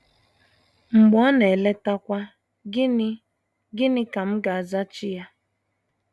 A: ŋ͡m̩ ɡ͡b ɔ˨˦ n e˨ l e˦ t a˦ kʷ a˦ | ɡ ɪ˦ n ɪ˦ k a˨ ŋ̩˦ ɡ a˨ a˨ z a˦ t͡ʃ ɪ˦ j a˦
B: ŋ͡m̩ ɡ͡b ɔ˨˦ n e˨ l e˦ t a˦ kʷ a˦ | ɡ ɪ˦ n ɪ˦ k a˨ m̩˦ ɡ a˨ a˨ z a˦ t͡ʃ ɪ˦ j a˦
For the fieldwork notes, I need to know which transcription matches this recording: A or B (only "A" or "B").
B